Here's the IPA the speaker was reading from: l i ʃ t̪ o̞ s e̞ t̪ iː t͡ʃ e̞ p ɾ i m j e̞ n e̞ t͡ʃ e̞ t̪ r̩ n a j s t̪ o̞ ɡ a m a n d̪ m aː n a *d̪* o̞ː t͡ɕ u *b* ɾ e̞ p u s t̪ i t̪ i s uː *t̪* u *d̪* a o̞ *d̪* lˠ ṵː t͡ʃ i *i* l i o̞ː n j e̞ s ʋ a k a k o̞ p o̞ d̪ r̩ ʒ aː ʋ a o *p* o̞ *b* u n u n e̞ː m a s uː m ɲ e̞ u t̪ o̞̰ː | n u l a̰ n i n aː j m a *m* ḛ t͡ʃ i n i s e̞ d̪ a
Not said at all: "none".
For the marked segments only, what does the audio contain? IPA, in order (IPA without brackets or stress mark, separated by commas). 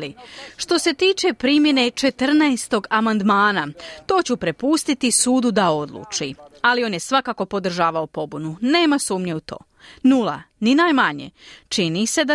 t̪, p, d̪, d̪, d̪, a, p, b, ɲ